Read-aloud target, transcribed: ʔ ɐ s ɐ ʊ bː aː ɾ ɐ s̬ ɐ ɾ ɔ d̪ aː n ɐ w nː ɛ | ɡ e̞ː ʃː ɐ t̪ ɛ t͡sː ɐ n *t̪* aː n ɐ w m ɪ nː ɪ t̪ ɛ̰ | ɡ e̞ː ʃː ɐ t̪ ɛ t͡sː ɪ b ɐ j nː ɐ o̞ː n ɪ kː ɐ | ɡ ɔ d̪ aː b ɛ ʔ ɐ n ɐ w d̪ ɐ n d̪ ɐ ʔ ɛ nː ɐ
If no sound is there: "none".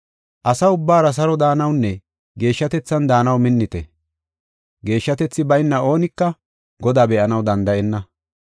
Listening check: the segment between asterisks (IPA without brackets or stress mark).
d̪